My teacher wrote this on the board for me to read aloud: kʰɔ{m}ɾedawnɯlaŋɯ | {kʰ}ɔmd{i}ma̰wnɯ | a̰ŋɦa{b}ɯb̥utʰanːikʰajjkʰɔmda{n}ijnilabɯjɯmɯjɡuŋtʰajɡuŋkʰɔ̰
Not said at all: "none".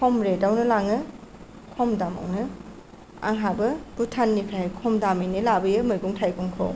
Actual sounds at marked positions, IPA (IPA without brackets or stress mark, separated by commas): m, kʰ, a, b, m